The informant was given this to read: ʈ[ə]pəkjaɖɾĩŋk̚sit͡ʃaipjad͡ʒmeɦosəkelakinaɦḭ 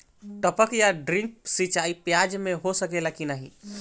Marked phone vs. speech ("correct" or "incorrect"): correct